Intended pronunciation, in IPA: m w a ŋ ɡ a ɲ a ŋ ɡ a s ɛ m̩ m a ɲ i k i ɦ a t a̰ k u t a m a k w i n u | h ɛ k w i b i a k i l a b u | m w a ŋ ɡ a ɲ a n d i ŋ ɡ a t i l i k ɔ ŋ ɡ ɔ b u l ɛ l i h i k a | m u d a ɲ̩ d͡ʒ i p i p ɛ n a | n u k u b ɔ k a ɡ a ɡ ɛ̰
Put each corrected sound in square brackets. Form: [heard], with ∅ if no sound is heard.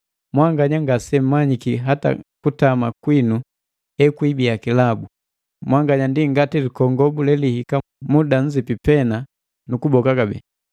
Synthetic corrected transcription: m w a ŋ ɡ a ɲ a ŋ ɡ a s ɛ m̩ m a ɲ i k i ɦ a t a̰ k u t a m a k w i n u | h ɛ k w i b i a k i l a b u | m w a ŋ ɡ a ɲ a n d i ŋ ɡ a t i l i k ɔ ŋ ɡ ɔ b u l ɛ l i h i k a | m u d a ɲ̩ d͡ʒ i p i p ɛ n a | n u k u b ɔ k a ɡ a [b] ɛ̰